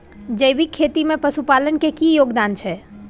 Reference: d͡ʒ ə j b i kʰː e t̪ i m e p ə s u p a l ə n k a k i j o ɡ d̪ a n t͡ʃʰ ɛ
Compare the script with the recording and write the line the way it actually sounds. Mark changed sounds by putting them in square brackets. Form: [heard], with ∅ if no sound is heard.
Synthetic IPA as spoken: d͡ʒ ə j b i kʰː e t̪ i m e p ə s u p a l ə n k [e] k i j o ɡ d̪ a n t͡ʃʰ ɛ